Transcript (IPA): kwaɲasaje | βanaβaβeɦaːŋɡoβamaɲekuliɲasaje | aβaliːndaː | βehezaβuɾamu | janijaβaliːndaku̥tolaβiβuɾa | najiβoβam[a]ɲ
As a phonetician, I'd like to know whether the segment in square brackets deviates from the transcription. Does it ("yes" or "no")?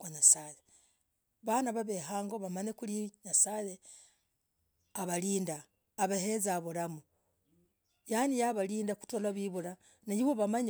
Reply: no